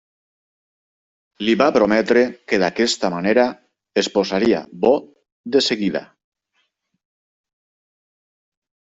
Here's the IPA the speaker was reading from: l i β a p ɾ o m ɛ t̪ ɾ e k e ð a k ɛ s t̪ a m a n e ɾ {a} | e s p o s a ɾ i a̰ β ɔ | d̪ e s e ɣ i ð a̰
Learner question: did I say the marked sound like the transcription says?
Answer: yes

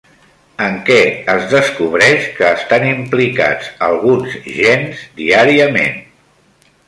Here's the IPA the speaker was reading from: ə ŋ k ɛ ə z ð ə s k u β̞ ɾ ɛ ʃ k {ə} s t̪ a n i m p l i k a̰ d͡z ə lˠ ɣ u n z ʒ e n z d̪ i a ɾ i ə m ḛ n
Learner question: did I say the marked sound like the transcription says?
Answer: no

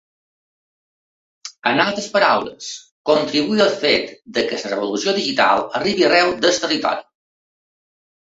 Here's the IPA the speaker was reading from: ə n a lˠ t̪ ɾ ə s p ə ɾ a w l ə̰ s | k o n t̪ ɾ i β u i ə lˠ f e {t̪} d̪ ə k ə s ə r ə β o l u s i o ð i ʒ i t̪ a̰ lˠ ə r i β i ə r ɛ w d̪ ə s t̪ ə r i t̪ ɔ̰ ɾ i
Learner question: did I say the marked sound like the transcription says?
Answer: yes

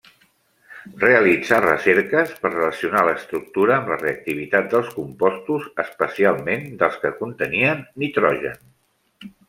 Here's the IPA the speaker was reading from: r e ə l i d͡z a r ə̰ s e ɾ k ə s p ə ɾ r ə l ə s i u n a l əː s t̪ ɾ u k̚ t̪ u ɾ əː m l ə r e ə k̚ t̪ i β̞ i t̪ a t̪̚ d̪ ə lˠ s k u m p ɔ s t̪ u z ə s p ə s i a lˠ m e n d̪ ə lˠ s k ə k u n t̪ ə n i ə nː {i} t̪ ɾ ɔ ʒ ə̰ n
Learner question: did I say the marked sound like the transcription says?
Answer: yes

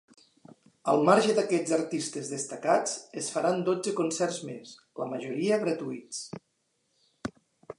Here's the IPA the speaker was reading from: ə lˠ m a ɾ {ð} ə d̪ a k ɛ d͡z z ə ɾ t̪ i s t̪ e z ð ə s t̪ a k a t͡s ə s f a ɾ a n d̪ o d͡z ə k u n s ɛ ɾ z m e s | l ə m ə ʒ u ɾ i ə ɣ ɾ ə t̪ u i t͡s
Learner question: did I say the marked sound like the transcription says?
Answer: no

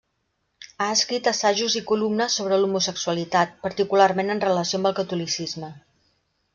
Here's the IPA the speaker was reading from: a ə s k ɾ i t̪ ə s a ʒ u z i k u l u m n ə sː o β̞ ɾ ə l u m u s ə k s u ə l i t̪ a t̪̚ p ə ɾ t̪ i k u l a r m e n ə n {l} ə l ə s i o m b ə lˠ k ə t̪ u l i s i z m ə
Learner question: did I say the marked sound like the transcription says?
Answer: no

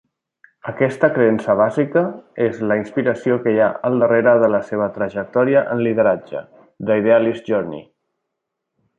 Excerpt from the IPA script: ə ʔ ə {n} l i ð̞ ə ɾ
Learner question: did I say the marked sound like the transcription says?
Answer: yes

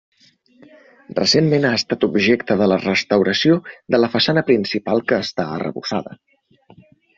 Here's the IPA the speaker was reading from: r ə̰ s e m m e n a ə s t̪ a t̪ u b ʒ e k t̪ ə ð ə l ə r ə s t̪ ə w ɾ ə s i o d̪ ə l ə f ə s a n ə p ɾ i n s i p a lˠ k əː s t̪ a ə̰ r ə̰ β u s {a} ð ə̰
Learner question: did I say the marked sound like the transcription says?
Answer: yes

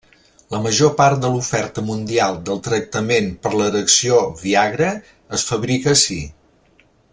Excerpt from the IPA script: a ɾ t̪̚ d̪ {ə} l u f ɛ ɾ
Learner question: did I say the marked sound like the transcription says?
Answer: yes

